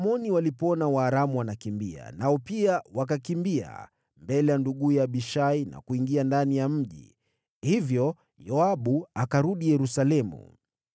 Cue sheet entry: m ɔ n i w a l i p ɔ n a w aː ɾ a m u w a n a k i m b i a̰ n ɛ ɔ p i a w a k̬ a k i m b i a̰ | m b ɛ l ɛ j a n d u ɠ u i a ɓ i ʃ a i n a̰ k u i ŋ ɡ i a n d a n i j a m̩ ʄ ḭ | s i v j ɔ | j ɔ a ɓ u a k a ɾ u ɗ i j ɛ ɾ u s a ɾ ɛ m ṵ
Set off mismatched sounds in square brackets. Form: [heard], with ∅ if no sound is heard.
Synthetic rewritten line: m ɔ n i w a l i p ɔ n a w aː ɾ a m u w a n a k i m b i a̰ n [a] ɔ p i a w a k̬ a k i m b i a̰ | m b ɛ l ɛ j a n d u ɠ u [j] a ɓ i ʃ a i n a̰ k u i ŋ ɡ i a n d a n i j a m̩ ʄ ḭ | [h] i v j ɔ | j ɔ a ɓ u a k a ɾ u ɗ i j ɛ ɾ u s a [l] ɛ m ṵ